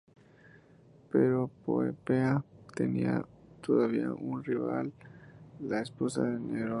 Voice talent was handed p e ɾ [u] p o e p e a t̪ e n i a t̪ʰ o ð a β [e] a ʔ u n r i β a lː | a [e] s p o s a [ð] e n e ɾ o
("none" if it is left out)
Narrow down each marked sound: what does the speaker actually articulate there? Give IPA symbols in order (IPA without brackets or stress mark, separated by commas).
o, i, e, ð